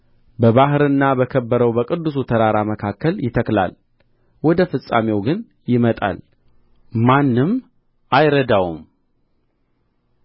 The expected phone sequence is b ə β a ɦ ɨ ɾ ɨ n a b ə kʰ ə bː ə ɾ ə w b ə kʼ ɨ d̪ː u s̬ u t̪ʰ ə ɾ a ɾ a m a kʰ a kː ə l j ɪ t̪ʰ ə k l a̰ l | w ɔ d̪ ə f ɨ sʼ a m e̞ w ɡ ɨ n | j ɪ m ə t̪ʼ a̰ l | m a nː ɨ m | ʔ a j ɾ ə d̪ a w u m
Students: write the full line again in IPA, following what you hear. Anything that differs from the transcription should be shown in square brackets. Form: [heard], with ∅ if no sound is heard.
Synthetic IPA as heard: b ə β a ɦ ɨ ɾ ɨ [nː] a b ə kʰ ə bː ə ɾ ə w b ə kʼ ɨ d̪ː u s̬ u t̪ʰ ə ɾ a ɾ a m [ə] kʰ a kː ə l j ɪ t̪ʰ ə k l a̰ l | w ɔ d̪ ə f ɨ sʼ a m e̞ w ɡ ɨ n | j ɪ m ə t̪ʼ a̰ l | m a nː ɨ m | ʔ a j ɾ ə d̪ a w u m